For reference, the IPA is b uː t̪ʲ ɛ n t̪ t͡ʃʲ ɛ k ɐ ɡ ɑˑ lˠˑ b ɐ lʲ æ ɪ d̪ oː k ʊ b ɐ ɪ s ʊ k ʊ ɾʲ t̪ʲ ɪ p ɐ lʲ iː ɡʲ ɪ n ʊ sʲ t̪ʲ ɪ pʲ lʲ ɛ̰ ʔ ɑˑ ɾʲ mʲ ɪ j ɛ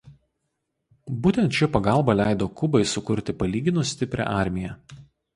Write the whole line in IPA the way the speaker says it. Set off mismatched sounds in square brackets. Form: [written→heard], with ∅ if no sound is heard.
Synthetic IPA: b uː t̪ʲ ɛ n t̪ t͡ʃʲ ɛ [k→p] ɐ ɡ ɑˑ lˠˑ b ɐ lʲ æ ɪ d̪ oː k ʊ b ɐ ɪ s ʊ k ʊ ɾʲ t̪ʲ ɪ p ɐ lʲ iː ɡʲ ɪ n ʊ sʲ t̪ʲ ɪ pʲ [lʲ→ɾʲ] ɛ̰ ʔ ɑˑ ɾʲ mʲ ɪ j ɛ